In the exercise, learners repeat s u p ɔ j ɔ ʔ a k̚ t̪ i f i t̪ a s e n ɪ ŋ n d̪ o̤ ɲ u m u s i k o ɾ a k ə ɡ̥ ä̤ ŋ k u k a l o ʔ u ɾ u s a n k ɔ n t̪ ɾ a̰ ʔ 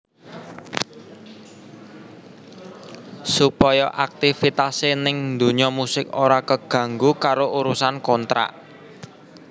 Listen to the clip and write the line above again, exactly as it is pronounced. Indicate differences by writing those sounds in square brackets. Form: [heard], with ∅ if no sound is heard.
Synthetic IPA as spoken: s u p ɔ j ɔ ʔ a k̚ t̪ i f i t̪ a s e n ɪ ŋ n d̪ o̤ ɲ [ɔ] m u s [ɪ] k o ɾ a k ə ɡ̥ ä̤ ŋ [ɡ] u k a [ɾ] o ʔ u ɾ u s a n k ɔ n t̪ ɾ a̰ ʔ